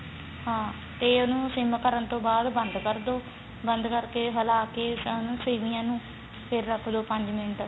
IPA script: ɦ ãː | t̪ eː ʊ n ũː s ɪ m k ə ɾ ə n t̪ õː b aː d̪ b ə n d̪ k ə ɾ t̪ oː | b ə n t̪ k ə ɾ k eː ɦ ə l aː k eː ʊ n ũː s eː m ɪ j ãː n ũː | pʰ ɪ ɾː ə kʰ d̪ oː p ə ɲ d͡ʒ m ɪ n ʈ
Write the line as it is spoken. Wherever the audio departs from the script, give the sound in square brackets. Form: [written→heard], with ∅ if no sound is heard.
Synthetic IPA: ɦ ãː | t̪ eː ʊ n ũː s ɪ m k ə ɾ ə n t̪ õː b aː d̪ b ə n d̪ k ə ɾ [t̪→d̪] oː | b ə n [t̪→d̪] k ə ɾ k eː ɦ ə l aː k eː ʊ n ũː s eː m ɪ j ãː n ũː | pʰ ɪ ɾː ə kʰ d̪ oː p ə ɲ d͡ʒ m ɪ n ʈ